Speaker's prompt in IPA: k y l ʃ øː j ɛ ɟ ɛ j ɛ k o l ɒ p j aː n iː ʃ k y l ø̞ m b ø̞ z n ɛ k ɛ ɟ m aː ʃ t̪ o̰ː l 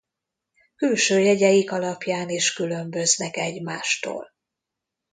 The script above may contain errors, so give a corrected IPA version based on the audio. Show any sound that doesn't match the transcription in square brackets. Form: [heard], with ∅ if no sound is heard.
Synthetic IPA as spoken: k y l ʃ øː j ɛ ɟ ɛ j [i] k [ɒ] l ɒ p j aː n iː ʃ k y l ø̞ m b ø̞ z n ɛ k ɛ ɟ m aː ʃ t̪ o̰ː l